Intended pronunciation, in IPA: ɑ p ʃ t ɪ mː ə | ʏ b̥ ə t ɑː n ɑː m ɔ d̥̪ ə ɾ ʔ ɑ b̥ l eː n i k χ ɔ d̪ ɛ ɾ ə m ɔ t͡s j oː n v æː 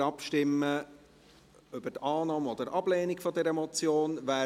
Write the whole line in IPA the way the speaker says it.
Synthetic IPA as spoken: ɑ p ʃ t ɪ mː ə | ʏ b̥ ə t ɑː n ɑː m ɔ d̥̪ ə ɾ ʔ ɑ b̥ l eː n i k f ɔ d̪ ɛ ɾ ə m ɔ t͡s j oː n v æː